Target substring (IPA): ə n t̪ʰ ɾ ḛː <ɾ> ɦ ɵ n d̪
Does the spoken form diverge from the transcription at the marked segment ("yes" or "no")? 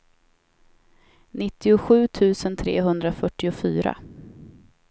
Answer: yes